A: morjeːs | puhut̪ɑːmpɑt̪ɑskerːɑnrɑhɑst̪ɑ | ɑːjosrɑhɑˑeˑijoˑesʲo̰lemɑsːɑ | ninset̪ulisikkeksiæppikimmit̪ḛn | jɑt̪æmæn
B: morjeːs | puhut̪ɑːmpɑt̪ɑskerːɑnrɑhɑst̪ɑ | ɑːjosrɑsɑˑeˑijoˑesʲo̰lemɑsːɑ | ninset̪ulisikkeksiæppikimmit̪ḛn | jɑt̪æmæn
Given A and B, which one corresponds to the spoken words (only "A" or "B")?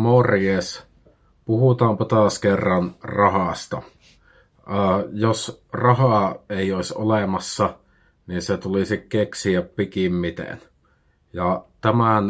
A